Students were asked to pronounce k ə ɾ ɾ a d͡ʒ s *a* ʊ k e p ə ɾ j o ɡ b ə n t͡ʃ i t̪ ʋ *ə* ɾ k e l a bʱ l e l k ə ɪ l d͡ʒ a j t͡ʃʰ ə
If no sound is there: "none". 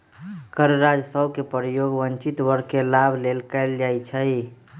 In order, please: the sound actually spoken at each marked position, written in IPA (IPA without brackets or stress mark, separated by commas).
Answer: ə, ə